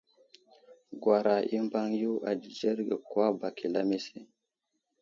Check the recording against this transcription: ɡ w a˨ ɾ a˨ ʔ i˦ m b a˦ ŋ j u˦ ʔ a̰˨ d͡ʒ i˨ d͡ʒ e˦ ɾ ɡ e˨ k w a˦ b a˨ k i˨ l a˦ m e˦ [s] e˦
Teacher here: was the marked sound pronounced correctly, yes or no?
yes